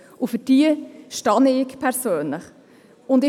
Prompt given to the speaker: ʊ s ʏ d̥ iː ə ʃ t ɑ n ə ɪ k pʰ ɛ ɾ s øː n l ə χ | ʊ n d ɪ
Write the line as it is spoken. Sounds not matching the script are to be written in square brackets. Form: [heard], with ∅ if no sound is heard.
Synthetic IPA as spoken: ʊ [f] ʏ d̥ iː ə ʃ t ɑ n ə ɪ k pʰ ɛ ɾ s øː n l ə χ | ʊ n d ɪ